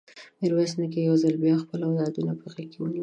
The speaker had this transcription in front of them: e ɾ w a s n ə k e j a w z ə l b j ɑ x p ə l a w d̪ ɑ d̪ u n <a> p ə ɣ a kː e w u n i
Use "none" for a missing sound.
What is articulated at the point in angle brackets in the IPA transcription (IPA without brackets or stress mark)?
a